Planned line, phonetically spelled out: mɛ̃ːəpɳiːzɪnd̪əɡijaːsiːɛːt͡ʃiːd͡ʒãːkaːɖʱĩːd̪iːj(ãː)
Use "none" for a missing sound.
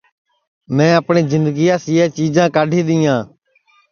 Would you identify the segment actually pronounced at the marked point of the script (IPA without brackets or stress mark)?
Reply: ãː